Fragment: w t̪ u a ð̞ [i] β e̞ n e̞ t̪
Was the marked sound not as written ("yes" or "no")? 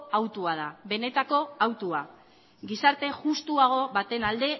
yes